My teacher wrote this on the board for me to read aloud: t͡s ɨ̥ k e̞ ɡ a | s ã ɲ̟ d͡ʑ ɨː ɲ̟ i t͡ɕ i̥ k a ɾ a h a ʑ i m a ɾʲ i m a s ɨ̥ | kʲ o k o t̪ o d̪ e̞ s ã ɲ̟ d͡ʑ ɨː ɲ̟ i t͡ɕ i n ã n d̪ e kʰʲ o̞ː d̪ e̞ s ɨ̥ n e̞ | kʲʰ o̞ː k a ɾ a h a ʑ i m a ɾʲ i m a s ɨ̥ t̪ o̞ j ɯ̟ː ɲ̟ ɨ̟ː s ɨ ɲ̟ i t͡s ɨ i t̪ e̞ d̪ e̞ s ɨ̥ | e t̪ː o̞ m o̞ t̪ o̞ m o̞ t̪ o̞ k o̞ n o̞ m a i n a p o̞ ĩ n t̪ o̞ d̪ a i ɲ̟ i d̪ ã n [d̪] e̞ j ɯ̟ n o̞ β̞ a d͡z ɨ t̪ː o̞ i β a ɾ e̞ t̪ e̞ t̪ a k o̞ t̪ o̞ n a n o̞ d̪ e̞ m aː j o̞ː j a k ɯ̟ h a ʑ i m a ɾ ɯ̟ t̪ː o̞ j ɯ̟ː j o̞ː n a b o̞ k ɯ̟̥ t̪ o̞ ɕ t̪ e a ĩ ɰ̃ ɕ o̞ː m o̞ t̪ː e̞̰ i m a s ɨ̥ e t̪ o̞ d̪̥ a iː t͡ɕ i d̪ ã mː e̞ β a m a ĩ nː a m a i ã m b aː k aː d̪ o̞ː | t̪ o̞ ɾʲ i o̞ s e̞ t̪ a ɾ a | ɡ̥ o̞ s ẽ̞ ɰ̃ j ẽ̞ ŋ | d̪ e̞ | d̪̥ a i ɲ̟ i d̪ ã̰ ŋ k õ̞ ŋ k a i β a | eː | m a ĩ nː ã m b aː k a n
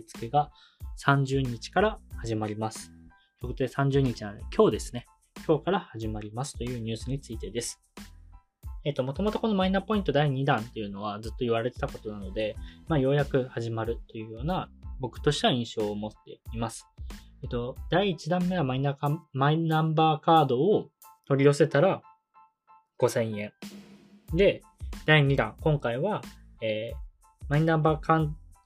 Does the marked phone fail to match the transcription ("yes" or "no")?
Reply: yes